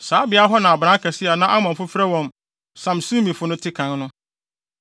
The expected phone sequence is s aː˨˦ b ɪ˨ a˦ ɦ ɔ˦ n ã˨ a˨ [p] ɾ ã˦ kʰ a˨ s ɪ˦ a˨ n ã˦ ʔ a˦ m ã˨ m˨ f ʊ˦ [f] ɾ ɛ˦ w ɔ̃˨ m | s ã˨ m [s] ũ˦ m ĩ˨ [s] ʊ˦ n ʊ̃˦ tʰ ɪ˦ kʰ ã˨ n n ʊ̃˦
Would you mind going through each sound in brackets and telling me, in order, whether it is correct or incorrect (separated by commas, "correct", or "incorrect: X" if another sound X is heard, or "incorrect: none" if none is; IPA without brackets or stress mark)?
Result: incorrect: b, correct, correct, incorrect: f